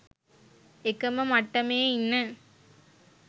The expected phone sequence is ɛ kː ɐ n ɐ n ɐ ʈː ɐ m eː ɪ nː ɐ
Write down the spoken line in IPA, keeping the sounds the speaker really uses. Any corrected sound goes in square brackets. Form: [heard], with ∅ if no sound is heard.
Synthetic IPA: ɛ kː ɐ [m] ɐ [m] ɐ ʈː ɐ m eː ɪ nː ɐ